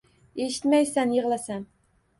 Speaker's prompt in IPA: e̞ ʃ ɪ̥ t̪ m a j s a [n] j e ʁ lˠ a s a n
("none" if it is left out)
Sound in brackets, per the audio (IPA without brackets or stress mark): n